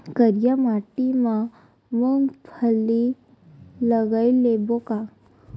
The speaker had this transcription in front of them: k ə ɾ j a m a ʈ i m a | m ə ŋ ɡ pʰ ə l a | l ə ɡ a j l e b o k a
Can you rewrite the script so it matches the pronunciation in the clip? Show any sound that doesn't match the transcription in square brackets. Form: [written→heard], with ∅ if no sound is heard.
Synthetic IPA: k ə ɾ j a m a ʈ i m a | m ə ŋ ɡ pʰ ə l [a→i] | l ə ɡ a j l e b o k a